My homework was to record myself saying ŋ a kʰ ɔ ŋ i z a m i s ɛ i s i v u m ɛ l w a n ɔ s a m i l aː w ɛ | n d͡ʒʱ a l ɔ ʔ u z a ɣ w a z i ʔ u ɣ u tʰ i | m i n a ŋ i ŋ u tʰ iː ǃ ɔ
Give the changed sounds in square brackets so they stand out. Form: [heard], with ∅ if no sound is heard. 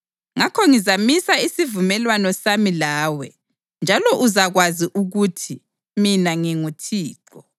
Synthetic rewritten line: ŋ a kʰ ɔ ŋ i z a m i s [a] i s i v u m ɛ l w a n ɔ s a m i l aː w ɛ | n d͡ʒʱ a l ɔ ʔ u z a ɣ w a z i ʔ u ɣ u tʰ i | m i n a ŋ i ŋ u tʰ iː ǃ ɔ